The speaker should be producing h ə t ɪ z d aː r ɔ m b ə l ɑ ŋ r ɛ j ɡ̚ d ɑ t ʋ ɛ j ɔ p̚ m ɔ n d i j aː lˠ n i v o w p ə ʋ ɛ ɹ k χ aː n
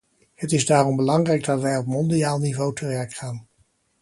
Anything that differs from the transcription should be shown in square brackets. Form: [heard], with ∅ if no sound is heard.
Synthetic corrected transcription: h ə t ɪ z d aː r ɔ m b ə l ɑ ŋ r ɛ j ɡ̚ d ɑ t ʋ ɛ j ɔ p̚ m ɔ n d i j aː lˠ n i v o w [t] ə ʋ ɛ ɹ k χ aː n

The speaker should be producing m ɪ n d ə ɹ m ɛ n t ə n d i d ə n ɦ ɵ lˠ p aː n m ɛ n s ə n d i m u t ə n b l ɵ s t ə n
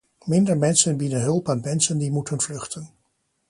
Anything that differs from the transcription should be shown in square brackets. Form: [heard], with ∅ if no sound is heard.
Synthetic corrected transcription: m ɪ n d ə ɹ m ɛ n [s] ə n [b] i d ə n ɦ ɵ lˠ p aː n m ɛ n s ə n d i m u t ə n [v] l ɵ [χ] t ə n

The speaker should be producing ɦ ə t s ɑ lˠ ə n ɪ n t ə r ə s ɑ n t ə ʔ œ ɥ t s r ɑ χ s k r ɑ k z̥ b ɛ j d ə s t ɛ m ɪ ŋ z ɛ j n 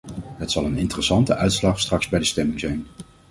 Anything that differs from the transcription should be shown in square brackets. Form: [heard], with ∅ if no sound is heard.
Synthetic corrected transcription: ɦ ə t s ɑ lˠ ə n ɪ n t ə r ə s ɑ n t ə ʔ œ ɥ t s [l] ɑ χ s [t] r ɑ k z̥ b ɛ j d ə s t ɛ m ɪ ŋ z ɛ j n

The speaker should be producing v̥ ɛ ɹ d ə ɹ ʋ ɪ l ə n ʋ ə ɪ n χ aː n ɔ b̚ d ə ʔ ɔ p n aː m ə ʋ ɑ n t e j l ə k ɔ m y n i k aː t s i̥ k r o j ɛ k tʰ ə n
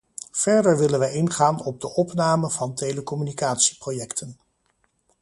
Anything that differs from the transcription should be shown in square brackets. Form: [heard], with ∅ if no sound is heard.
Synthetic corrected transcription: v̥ ɛ ɹ d ə ɹ ʋ ɪ l ə n ʋ ə ɪ n χ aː n ɔ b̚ d ə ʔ ɔ p n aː m ə [v] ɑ n t e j l ə k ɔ m y n i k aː t s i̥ [p] r o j ɛ k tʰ ə n

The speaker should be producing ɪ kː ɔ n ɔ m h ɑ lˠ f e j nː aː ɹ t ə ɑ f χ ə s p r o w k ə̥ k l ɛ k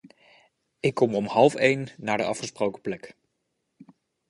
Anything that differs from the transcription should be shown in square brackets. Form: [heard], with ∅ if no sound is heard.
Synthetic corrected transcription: ɪ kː ɔ [m] ɔ m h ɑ lˠ f e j nː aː ɹ [d] ə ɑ f χ ə s p r o w k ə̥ [p] l ɛ k

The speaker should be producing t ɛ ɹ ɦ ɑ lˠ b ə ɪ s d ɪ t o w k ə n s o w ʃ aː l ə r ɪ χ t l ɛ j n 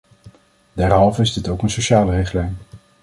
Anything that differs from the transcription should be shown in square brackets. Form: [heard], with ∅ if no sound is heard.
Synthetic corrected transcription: [d] ɛ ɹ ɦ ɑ lˠ [v] ə ɪ [z] d ɪ t o w k ə n s o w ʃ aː l ə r ɪ χ t l ɛ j n

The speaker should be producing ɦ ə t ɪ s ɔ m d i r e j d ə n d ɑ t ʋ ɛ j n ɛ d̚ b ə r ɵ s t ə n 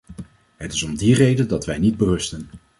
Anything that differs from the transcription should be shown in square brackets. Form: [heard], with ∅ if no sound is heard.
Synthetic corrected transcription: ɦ ə t ɪ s ɔ m d i r e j d ə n d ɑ t ʋ ɛ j n [i] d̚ b ə r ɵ s t ə n

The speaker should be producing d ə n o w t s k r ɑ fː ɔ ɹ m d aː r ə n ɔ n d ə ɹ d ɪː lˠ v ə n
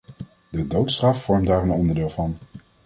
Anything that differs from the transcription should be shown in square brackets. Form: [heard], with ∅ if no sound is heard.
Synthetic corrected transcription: d ə [d] o w t s [t] r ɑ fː ɔ ɹ m d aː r ə n ɔ n d ə ɹ d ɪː lˠ v [ɑ] n

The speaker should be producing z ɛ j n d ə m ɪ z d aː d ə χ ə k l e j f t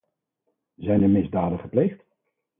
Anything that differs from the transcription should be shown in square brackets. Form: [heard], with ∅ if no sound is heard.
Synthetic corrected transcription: z ɛ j n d ə m ɪ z d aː d ə χ ə [p] l e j [χ] t

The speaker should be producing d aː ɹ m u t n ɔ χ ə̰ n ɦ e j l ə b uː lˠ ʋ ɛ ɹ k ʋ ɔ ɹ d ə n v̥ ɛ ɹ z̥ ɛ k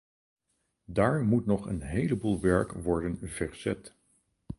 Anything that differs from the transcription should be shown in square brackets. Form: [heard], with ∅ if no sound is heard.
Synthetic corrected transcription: d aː ɹ m u t n ɔ χ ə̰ n ɦ e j l ə b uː lˠ ʋ ɛ ɹ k ʋ ɔ ɹ d ə n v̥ ɛ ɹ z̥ ɛ [t]

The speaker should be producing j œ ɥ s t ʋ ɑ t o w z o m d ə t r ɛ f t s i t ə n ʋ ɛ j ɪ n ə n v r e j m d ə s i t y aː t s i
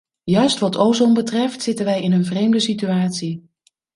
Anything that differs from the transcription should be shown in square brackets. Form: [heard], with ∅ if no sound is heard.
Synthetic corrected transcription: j œ ɥ s t ʋ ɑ t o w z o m [b] ə t r ɛ f t s [ɪ] t ə n ʋ ɛ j ɪ n ə n v r e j m d ə s i t y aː t s i

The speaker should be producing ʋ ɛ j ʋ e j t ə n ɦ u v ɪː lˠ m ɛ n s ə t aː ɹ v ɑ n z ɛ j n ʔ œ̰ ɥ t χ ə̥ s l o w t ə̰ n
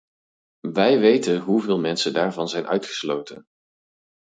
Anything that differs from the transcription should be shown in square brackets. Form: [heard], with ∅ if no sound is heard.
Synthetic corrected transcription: ʋ ɛ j ʋ e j t ə n ɦ u v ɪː lˠ m ɛ n s ə [d] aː ɹ v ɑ n z ɛ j n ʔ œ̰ ɥ t χ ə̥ s l o w t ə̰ n

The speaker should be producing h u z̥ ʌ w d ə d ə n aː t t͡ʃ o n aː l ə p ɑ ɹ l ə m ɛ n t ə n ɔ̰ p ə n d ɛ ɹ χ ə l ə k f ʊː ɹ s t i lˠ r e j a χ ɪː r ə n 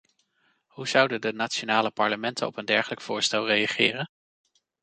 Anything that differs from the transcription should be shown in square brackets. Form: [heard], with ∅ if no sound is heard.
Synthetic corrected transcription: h u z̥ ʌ w d ə d ə n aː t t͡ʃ o n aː l ə p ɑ ɹ l ə m ɛ n t ə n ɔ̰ p ə n d ɛ ɹ χ ə l ə k f ʊː ɹ s t [ɛ] lˠ r e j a χ ɪː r ə n

